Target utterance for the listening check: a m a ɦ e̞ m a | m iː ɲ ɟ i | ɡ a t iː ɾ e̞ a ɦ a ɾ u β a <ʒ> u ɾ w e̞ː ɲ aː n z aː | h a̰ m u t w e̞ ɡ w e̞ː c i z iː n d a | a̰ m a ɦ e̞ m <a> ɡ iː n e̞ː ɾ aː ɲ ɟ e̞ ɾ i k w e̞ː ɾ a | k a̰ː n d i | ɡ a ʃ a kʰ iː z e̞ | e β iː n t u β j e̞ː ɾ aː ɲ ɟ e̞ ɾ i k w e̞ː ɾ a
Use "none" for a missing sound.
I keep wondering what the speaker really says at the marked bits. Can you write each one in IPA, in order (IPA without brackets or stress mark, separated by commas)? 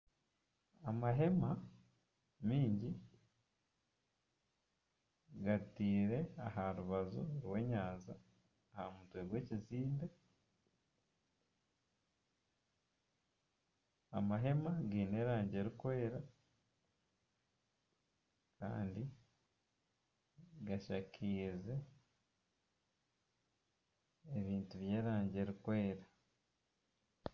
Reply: z, a